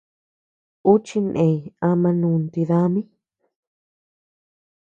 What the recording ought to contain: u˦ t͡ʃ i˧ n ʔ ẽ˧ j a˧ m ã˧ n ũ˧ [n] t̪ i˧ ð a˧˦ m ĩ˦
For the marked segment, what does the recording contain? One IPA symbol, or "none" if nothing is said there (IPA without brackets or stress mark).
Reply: n